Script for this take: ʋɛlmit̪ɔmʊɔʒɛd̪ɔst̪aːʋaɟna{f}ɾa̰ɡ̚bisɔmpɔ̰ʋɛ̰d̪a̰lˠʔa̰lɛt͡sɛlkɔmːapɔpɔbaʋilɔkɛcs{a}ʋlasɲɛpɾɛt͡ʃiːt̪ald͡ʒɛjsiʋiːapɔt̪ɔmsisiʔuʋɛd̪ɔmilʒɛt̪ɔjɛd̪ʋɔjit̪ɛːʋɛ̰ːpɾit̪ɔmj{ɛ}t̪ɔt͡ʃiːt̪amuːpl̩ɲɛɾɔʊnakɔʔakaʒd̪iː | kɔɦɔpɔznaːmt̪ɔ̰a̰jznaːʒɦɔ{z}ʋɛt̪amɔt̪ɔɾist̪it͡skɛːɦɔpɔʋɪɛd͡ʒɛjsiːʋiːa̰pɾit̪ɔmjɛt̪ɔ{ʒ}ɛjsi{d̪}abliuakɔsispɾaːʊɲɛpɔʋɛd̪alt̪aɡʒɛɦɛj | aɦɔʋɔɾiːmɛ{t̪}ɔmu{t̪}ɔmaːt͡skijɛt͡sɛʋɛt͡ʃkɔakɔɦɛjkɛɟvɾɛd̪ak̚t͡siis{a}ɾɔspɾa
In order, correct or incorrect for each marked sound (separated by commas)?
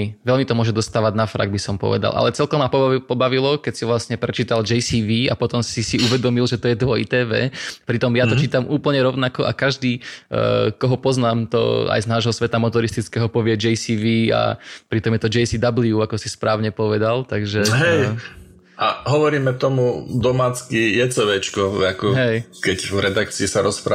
correct, incorrect, incorrect, incorrect, incorrect, correct, correct, incorrect, correct